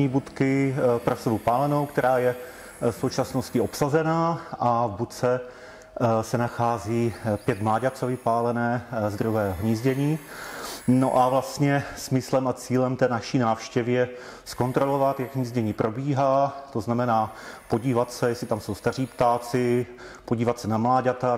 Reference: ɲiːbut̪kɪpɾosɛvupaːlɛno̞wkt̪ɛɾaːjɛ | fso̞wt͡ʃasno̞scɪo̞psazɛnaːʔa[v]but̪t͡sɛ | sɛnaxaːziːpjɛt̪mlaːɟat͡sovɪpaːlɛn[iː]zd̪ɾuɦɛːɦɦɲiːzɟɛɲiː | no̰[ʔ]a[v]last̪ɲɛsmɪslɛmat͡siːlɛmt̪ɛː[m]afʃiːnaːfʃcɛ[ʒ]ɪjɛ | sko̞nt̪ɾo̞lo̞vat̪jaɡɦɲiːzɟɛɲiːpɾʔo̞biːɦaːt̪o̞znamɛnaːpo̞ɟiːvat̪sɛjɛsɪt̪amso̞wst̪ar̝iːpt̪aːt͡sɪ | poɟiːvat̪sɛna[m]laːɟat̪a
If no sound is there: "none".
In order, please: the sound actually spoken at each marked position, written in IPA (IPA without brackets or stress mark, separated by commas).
v, ɛː, ʔ, v, n, v, m